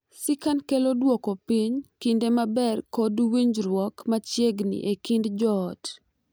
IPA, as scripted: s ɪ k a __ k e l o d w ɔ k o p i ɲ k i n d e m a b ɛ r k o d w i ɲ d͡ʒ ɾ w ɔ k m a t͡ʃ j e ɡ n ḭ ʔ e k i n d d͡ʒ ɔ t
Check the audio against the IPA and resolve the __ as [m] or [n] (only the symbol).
n